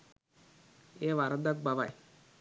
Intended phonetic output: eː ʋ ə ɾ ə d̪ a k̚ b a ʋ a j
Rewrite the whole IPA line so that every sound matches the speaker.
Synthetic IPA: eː ʋ a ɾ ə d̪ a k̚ b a ʋ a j